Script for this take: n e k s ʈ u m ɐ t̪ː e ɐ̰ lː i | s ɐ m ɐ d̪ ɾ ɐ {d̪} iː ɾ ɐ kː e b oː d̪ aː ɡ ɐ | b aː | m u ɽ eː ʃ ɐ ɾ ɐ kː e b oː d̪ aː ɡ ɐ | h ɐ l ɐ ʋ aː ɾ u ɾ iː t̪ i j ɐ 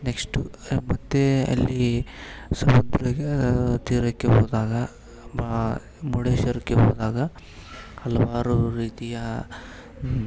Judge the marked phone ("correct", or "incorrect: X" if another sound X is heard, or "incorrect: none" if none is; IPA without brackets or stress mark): incorrect: t̪